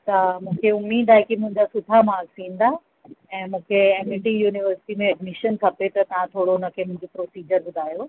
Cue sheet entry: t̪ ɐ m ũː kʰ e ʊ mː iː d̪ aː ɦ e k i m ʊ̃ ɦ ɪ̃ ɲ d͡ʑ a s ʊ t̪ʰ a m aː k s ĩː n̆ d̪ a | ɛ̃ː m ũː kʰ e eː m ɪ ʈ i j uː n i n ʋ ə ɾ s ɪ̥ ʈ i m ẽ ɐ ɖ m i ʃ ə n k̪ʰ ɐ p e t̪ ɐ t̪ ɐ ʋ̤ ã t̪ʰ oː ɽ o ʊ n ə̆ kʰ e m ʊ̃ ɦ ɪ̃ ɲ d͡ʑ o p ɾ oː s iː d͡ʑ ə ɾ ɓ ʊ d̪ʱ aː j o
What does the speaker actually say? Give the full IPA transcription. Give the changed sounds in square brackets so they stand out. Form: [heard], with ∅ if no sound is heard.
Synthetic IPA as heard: t̪ ɐ m ũː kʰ e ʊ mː iː d̪ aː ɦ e k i m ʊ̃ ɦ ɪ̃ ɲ d͡ʑ a s ʊ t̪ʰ a m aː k s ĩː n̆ d̪ a | ɛ̃ː m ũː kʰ e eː m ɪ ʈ i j uː n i [∅] ʋ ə ɾ s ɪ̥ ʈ i m ẽ ɐ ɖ m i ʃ ə n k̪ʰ ɐ p e t̪ ɐ t̪ ɐ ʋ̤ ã t̪ʰ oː ɽ o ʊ n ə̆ kʰ e m ʊ̃ ɦ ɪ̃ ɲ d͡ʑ o p ɾ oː s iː d͡ʑ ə ɾ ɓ ʊ d̪ʱ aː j o